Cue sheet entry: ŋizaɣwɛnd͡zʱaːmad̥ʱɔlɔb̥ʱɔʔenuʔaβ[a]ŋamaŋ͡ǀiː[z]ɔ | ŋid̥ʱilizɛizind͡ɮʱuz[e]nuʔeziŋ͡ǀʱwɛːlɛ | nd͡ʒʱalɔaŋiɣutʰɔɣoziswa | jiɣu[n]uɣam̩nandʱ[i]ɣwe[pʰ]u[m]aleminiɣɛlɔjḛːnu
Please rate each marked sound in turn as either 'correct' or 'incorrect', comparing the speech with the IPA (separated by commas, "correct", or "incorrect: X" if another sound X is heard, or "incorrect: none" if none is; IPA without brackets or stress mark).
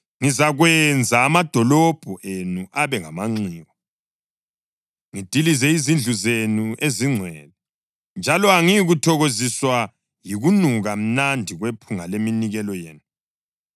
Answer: incorrect: ɛ, incorrect: ɣ, correct, correct, correct, correct, incorrect: ŋ